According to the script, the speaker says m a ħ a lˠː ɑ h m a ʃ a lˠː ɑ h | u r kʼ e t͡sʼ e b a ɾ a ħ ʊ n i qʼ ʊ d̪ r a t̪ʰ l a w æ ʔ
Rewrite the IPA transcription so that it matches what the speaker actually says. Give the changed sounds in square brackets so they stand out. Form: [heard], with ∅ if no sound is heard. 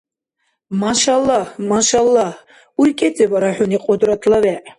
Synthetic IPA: m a [ʃ] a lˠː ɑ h m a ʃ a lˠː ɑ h | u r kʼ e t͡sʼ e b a ɾ a ħ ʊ n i qʼ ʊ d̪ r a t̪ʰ l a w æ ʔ